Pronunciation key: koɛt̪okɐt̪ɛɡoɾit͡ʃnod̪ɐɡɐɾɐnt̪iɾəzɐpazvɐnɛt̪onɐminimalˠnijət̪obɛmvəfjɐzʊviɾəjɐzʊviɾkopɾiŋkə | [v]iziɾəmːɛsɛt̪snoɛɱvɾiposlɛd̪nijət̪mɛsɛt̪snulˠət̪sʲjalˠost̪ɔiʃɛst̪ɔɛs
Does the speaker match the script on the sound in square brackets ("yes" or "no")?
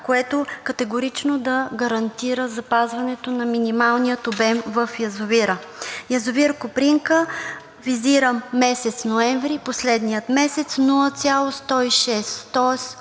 yes